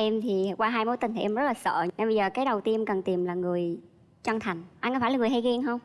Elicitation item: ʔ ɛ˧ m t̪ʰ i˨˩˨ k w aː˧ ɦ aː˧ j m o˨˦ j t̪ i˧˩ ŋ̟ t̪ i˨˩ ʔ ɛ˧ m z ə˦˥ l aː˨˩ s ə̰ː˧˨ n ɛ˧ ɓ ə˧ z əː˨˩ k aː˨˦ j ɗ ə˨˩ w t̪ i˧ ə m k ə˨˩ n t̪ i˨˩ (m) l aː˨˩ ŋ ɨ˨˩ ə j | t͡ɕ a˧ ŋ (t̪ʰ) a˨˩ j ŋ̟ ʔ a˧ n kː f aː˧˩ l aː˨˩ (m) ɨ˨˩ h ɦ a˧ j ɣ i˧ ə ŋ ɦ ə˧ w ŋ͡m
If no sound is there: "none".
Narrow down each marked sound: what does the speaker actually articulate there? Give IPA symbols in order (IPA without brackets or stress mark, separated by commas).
m, t̪ʰ, ŋ